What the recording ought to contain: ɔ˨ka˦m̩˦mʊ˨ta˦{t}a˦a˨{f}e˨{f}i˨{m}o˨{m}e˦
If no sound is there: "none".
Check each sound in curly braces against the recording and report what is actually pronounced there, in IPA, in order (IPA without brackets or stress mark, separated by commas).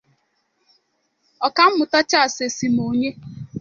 t͡ʃ, s, s, m, ɲ